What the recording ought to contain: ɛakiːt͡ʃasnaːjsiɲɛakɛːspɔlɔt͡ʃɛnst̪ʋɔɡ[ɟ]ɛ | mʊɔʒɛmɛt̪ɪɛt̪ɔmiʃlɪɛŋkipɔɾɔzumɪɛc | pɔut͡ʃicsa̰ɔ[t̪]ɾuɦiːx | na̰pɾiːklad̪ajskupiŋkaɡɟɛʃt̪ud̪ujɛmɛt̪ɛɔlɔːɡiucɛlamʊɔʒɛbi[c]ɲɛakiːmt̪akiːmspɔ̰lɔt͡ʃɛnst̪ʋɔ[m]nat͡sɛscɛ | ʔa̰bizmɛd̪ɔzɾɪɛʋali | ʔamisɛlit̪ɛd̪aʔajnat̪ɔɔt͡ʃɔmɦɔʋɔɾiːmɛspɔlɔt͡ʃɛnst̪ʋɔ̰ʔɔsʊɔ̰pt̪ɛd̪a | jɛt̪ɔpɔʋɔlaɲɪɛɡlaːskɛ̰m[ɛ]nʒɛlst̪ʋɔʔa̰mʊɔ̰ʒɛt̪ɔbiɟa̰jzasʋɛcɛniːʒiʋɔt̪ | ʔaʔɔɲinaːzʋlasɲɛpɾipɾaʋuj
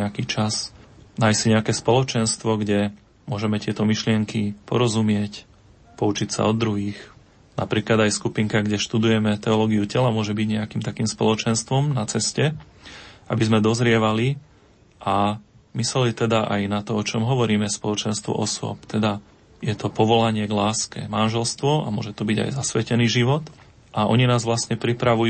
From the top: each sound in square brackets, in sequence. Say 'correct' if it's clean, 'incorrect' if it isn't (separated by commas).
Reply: correct, incorrect, incorrect, correct, incorrect